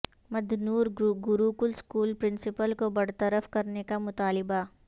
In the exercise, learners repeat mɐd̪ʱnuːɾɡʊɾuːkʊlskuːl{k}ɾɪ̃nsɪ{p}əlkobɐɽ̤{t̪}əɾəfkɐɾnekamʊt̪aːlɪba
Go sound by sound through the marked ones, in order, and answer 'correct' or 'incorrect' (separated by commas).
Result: incorrect, correct, correct